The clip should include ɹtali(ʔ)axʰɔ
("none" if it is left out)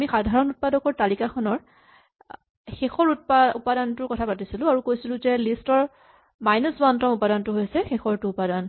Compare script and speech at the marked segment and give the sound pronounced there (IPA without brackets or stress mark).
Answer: k